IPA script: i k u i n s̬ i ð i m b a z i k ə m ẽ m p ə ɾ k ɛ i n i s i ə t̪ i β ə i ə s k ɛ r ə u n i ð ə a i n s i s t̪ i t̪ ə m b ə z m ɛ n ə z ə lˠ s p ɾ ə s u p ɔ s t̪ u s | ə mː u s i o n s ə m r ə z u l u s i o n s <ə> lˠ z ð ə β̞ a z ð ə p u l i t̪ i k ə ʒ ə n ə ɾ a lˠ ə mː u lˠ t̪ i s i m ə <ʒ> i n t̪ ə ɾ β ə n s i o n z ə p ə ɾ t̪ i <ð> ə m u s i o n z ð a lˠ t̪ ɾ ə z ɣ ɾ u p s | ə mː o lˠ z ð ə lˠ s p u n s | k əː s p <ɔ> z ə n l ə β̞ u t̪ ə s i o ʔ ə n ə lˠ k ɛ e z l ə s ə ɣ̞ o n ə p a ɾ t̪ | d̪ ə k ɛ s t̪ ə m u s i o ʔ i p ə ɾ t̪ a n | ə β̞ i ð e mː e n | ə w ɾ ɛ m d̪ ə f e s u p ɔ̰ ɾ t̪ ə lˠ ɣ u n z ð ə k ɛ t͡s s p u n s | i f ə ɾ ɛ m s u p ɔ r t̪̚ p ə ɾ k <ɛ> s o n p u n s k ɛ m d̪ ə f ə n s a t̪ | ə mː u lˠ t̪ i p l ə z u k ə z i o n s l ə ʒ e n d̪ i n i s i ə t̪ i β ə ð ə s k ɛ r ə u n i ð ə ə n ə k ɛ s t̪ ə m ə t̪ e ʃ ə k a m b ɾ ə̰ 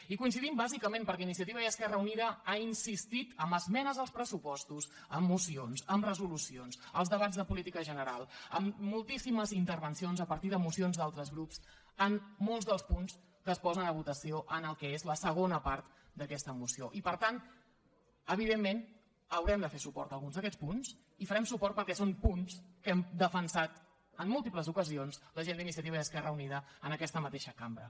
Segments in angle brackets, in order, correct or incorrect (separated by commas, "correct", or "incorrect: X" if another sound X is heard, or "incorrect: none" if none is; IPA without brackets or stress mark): correct, incorrect: z, correct, correct, correct